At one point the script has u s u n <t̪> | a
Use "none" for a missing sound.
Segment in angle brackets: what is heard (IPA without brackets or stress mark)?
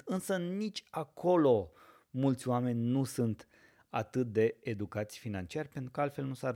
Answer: t̪